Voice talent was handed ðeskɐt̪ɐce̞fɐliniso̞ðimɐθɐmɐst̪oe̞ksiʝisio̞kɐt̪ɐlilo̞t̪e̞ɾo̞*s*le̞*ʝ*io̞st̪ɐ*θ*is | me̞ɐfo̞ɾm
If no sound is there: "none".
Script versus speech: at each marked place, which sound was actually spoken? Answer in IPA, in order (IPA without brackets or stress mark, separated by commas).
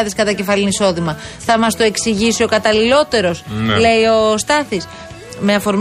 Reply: s, none, θ